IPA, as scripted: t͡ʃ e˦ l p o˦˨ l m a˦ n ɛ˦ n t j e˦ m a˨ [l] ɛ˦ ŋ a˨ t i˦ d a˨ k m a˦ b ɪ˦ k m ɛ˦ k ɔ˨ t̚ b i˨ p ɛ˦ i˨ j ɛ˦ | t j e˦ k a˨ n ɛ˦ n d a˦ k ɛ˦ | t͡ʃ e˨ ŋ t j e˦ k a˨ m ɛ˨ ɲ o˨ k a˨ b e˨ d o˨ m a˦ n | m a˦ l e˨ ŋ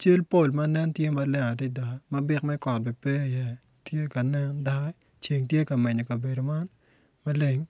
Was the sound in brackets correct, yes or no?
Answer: yes